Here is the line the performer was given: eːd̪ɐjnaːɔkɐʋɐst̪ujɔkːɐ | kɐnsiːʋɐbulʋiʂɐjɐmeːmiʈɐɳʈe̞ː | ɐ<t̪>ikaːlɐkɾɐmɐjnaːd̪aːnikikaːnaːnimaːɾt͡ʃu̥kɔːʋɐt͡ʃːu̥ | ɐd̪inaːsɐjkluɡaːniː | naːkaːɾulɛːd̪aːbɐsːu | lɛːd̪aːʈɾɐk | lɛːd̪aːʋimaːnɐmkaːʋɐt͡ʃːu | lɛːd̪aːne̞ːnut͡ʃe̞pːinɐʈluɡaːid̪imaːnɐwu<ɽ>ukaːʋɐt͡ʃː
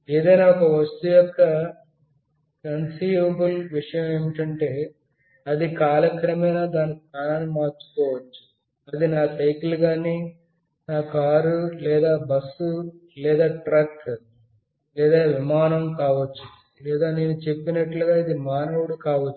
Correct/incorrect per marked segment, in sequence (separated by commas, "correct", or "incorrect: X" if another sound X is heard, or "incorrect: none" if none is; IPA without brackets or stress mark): incorrect: d̪, correct